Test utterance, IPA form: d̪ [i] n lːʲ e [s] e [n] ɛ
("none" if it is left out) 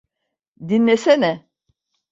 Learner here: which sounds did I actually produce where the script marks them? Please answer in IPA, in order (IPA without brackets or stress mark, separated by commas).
i, s, n